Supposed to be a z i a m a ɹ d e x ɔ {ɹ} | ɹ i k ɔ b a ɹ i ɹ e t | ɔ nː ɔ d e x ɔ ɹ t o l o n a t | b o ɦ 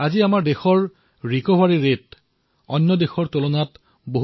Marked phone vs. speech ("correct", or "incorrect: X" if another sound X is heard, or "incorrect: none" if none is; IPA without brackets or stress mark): correct